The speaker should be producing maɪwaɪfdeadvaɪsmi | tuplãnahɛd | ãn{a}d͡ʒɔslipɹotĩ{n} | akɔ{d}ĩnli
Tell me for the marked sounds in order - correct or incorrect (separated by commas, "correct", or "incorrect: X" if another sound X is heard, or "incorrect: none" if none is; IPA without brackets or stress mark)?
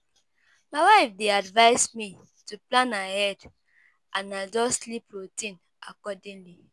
correct, correct, correct